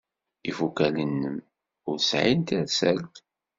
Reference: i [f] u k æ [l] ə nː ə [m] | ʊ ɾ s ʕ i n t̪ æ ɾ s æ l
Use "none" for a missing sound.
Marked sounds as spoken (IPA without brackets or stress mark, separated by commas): f, l, m